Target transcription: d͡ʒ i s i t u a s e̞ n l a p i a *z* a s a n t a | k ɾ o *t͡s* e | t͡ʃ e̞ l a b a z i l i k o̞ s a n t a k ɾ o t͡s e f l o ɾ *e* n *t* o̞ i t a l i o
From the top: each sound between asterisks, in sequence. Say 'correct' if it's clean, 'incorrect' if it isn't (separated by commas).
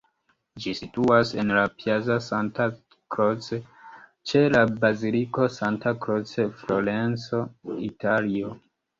correct, correct, correct, incorrect